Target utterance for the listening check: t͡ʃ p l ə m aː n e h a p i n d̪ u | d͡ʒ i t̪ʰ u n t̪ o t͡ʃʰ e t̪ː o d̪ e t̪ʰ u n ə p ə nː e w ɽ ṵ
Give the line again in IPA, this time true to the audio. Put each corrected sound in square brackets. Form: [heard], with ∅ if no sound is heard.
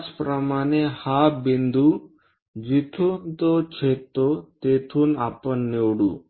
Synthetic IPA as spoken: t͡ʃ p [ɾ] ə m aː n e h a [b] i n d̪ u | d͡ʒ i t̪ʰ u n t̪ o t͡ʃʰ e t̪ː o [t̪] e t̪ʰ u n [a] p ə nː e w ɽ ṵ

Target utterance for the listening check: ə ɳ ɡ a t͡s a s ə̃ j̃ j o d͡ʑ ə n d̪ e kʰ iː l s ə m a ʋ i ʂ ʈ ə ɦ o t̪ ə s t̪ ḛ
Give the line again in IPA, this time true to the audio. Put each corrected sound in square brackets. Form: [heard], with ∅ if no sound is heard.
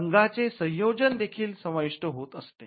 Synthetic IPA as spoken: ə [ŋ] ɡ a t͡s [e] s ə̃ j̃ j o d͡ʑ ə n d̪ e kʰ iː l s ə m a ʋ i ʂ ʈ ə ɦ o t̪ ə s t̪ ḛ

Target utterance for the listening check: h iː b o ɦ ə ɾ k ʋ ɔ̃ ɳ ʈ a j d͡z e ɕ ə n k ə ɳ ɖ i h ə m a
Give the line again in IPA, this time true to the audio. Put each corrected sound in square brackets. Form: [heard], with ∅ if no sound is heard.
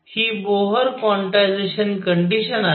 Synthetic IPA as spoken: h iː b o ɦ ə ɾ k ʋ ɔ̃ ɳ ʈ a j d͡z e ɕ ə n k ə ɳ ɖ i [ɕ] ə [n] a

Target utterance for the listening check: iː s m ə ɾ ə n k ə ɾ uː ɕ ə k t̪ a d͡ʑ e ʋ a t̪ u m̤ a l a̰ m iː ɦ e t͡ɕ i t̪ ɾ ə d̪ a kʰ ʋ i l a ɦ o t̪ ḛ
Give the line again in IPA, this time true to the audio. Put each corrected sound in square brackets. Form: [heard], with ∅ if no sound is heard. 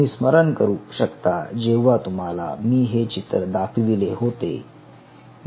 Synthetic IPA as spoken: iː s m ə ɾ ə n k ə ɾ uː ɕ ə k t̪ a d͡ʑ e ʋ a t̪ u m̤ a l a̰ m iː ɦ e t͡ɕ i t̪ ɾ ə d̪ a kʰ ʋ i l [e] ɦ o t̪ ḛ

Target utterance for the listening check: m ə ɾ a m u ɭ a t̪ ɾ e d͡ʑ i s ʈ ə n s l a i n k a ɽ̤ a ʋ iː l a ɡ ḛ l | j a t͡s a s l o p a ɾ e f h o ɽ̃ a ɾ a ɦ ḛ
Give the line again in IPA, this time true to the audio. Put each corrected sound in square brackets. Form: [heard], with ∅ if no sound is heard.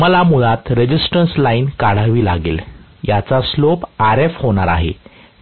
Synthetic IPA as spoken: m ə [l] a m u ɭ a t̪ ɾ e d͡ʑ i s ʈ ə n s l a i n k a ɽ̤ a ʋ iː l a ɡ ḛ l | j a t͡s a s l o p a ɾ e f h o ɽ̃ a ɾ a ɦ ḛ

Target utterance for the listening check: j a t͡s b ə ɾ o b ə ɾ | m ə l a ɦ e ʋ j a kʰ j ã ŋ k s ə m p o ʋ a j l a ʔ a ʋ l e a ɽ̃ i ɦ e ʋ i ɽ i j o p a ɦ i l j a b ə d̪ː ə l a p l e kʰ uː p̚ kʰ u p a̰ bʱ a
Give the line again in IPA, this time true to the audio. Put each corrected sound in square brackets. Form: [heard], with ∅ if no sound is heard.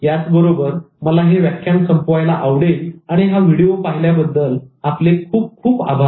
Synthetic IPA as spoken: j a t͡s b ə ɾ o b ə ɾ | m ə l a ɦ e ʋ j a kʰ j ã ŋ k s ə m p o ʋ a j l a ʔ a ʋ [ɽ] e a ɽ̃ i ɦ [a] ʋ i ɽ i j o p a ɦ i l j a b ə d̪ː ə l a p l e kʰ uː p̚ kʰ [uː] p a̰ bʱ a

